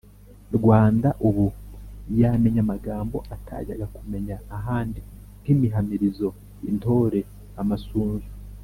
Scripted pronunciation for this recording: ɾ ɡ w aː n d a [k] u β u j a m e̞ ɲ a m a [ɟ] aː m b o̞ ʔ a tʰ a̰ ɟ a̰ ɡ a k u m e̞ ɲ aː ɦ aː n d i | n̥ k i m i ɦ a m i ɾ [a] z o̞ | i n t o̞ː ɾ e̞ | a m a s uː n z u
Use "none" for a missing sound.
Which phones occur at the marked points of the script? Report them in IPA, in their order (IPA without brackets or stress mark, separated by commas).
ʔ, ɡ, i